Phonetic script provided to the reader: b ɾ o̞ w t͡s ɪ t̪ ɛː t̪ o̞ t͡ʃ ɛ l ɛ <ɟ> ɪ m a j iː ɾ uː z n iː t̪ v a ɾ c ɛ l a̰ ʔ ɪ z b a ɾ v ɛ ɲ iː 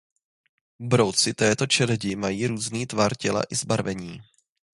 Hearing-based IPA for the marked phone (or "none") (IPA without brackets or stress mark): ɟ